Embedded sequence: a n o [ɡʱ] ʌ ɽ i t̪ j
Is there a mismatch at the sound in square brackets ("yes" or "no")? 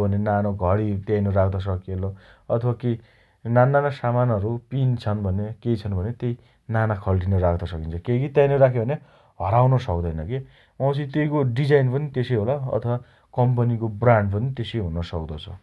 no